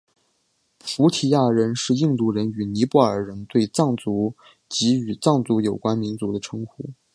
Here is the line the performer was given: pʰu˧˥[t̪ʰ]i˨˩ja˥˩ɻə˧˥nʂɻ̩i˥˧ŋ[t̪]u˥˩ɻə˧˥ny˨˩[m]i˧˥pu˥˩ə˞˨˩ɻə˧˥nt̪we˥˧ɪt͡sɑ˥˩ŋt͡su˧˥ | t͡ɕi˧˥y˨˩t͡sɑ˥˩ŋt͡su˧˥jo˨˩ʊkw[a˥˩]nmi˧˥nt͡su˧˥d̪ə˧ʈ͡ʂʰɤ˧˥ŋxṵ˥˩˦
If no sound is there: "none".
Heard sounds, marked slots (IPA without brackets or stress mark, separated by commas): t̪ʰ, t̪, n, a˥